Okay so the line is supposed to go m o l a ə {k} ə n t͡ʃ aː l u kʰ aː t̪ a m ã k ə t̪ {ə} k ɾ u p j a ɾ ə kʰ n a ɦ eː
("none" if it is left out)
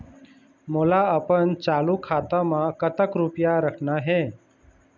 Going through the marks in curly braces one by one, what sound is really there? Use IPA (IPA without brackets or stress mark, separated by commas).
p, ə